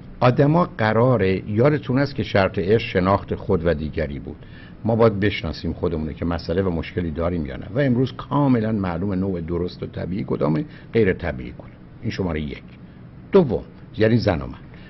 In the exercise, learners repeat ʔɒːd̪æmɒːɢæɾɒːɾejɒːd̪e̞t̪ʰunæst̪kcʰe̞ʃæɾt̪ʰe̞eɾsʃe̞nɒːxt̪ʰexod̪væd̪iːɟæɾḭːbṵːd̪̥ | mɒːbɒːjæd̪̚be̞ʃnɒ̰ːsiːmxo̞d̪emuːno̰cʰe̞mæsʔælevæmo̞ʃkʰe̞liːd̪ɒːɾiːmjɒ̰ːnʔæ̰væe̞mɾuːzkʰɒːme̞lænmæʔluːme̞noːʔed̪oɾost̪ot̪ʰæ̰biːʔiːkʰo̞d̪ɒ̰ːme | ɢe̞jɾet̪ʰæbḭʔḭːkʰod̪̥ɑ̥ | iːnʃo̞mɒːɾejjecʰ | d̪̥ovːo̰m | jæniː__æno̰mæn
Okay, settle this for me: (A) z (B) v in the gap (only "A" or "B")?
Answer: A